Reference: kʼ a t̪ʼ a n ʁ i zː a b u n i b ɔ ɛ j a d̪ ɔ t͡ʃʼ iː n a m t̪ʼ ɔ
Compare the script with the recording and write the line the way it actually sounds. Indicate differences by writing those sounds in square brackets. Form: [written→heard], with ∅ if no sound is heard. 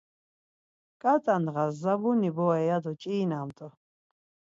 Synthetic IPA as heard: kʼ a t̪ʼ a n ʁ [i→a] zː a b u n i b ɔ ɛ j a d̪ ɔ t͡ʃʼ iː n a m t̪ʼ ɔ